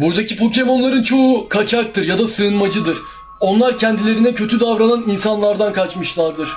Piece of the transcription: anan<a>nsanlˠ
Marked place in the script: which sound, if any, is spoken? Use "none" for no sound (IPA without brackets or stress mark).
i